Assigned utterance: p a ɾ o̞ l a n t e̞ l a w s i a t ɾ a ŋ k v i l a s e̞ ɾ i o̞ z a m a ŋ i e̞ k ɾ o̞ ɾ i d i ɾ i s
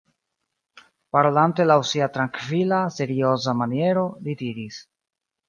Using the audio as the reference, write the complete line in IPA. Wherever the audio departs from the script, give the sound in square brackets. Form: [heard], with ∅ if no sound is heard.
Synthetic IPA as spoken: p a ɾ o̞ l a n t e̞ l a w s i a t ɾ a ŋ k v i l a s e̞ ɾ i o̞ z a m a [n] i e̞ [∅] ɾ o̞ [l] i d i ɾ i s